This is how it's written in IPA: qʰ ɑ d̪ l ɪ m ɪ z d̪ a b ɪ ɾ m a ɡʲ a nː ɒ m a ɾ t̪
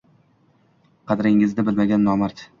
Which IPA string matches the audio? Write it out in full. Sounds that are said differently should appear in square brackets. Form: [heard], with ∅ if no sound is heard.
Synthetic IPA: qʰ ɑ d̪ [ɾ] ɪ [ŋ] ɪ z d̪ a b ɪ [l] m a ɡʲ a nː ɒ m a ɾ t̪